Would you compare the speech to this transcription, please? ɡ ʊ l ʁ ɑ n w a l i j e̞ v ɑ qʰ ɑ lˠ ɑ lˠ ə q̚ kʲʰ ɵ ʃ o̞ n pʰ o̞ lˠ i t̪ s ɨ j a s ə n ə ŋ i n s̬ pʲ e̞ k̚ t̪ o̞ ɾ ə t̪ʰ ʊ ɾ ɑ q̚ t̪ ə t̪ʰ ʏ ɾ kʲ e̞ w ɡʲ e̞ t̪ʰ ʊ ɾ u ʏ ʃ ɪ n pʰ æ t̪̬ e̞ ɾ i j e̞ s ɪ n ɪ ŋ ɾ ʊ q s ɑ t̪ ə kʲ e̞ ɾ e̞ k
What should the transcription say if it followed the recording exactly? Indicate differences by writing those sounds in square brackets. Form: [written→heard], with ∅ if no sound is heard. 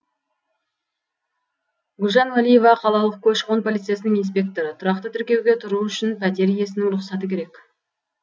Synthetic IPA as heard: ɡ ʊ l [ʁ→ʒ] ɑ n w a l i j e̞ v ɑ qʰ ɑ lˠ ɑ lˠ ə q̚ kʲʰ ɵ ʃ o̞ n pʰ o̞ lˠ i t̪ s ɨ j a s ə n ə ŋ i n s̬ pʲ e̞ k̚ t̪ o̞ ɾ ə t̪ʰ ʊ ɾ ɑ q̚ t̪ ə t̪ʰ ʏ ɾ kʲ e̞ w ɡʲ e̞ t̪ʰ ʊ ɾ u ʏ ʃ ɪ n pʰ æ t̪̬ e̞ ɾ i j e̞ s ɪ n ɪ ŋ ɾ ʊ q s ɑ t̪ ə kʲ e̞ ɾ e̞ k